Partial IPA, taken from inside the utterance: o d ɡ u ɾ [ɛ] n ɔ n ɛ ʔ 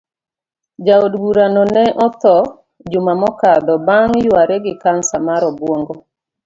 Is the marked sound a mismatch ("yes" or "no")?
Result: yes